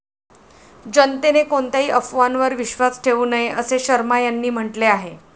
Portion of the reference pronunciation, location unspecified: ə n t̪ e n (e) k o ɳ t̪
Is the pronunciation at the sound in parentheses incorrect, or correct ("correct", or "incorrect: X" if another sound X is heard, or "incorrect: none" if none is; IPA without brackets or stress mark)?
correct